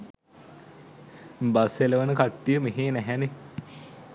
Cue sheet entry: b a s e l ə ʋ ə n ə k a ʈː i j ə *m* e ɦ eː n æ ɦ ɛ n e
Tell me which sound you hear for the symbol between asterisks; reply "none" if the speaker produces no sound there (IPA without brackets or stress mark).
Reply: m